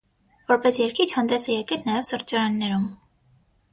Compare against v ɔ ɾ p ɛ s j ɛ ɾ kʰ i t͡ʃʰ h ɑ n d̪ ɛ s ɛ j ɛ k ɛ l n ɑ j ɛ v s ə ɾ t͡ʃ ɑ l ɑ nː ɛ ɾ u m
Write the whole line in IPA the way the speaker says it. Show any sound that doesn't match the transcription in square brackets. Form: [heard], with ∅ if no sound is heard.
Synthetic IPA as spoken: v ɔ ɾ p ɛ s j ɛ ɾ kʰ i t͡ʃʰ h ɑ n d̪ ɛ s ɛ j ɛ k ɛ l n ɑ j ɛ v s ə ɾ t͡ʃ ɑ [ɾ] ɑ nː ɛ ɾ u m